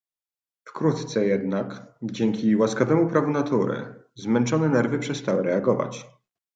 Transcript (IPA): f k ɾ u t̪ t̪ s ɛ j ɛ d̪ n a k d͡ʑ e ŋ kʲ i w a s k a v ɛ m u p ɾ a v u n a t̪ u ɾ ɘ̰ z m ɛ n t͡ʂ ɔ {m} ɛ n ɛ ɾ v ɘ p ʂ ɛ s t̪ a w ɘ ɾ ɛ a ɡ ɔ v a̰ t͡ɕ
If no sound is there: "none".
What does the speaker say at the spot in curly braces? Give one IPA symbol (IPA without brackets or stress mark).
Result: n